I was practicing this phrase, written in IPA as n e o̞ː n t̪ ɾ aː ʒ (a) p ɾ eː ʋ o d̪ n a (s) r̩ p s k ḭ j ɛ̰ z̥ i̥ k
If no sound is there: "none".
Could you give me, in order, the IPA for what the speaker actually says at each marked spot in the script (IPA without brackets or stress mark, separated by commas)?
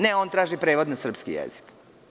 i, s